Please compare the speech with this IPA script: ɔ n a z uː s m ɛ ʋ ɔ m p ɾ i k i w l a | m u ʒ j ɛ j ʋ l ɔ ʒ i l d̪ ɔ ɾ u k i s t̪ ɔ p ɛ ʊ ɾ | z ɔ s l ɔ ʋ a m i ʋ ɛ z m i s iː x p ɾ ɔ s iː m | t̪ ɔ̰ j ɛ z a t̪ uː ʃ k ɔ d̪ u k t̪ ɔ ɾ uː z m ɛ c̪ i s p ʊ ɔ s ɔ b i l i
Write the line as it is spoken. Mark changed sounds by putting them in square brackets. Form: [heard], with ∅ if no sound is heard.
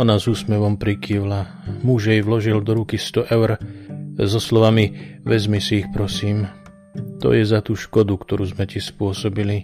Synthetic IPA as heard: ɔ n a z uː s m ɛ ʋ ɔ m p ɾ i k i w l a | m u ʒ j ɛ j ʋ l ɔ ʒ i l d̪ ɔ ɾ u k i s t̪ ɔ [ʔ] ɛ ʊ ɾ | z ɔ s l ɔ ʋ a m i ʋ ɛ z m i s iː x p ɾ ɔ s iː m | t̪ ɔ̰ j ɛ z a t̪ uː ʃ k ɔ d̪ u k t̪ ɔ ɾ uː z m ɛ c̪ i s p ʊ ɔ s ɔ b i l i